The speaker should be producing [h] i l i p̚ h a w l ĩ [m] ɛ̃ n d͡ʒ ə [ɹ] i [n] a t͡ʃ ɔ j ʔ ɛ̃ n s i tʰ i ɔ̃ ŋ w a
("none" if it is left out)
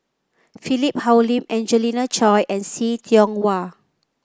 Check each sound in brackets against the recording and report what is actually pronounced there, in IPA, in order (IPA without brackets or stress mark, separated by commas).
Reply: f, m, l, n